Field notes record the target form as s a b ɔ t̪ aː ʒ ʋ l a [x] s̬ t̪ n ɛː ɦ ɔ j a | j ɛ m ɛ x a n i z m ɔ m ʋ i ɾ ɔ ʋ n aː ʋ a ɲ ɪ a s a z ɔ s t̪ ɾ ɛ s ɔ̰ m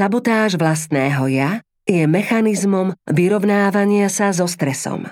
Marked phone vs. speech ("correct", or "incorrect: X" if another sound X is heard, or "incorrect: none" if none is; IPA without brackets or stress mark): incorrect: none